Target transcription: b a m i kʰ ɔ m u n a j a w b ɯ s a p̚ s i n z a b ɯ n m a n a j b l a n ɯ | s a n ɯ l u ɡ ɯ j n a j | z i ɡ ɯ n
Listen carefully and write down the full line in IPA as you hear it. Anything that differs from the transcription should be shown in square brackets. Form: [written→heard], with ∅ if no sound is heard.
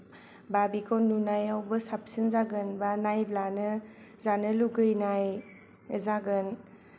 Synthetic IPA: b a [m→b] i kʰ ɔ [m→n] u n a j a w b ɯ s a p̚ s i n z a [b→ɡ] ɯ n [m→b] a n a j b l a n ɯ | [s→z] a n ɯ l u ɡ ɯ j n a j | z [i→a] ɡ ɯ n